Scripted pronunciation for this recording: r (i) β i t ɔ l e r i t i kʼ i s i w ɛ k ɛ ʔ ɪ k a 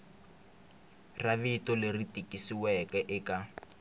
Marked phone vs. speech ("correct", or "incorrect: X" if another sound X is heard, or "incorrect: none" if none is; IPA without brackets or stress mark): incorrect: a